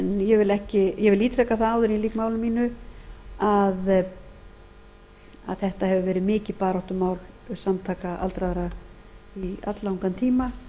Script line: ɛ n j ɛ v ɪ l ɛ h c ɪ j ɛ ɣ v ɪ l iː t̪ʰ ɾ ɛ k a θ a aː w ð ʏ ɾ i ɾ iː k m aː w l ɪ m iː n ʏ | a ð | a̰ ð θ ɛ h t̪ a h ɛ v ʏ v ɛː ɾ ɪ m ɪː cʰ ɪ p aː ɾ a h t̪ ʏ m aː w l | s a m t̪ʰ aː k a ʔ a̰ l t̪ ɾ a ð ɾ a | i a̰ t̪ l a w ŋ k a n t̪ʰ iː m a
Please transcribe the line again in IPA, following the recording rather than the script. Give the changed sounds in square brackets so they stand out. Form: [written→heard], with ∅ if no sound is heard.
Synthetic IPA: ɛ n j ɛ v ɪ l ɛ h c ɪ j ɛ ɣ v ɪ l iː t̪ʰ ɾ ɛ k a θ a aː w ð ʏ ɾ i [ɾ→l] iː k m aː w l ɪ m iː n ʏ | a ð | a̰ ð θ ɛ h t̪ a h ɛ v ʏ v ɛː ɾ ɪ m ɪː [cʰ→c] ɪ p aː ɾ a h t̪ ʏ m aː w l | s a m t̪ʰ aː k a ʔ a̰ l t̪ ɾ a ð ɾ a | i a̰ t̪ l a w ŋ k a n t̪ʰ iː m a